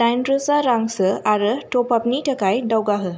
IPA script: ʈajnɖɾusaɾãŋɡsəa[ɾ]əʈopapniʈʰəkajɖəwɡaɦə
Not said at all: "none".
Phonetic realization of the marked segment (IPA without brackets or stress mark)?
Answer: ɾ